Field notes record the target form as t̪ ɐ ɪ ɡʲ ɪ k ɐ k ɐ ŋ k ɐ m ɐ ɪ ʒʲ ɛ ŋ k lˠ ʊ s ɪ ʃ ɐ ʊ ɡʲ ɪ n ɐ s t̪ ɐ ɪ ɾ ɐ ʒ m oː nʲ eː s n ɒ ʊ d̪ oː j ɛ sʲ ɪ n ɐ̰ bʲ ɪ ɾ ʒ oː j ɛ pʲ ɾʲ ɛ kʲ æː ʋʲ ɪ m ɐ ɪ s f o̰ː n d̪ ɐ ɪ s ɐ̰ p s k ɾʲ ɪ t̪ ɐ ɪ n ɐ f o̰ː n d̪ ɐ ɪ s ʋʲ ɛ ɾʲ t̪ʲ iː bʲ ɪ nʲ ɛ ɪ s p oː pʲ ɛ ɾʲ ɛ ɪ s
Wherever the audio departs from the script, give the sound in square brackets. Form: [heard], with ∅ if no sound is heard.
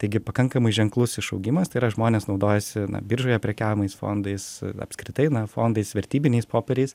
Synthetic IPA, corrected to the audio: t̪ ɐ ɪ ɡʲ ɪ [p] ɐ k ɐ ŋ k ɐ m ɐ ɪ ʒʲ ɛ ŋ k lˠ ʊ s ɪ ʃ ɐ ʊ ɡʲ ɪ [m] ɐ s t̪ ɐ ɪ ɾ ɐ ʒ m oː nʲ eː s n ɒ ʊ d̪ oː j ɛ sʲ ɪ n ɐ̰ bʲ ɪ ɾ ʒ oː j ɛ pʲ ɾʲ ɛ kʲ æː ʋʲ ɪ m ɐ ɪ s f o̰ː n d̪ ɐ ɪ s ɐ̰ p s k ɾʲ ɪ t̪ ɐ ɪ n ɐ f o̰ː n d̪ ɐ ɪ s ʋʲ ɛ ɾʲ t̪ʲ iː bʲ ɪ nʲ ɛ ɪ s p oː pʲ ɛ ɾʲ ɛ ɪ s